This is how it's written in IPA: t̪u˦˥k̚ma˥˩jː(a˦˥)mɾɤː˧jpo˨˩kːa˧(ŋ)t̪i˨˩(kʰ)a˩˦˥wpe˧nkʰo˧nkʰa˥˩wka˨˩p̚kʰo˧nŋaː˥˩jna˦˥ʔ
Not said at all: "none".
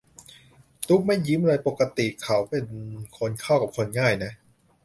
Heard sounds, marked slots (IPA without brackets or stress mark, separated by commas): i˦˥, none, kʰ